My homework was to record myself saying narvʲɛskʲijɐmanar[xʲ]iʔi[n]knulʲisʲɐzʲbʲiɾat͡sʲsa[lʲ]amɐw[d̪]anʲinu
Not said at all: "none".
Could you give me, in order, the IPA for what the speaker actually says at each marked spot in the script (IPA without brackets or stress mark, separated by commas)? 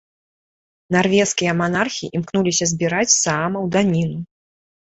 xʲ, m, none, d̪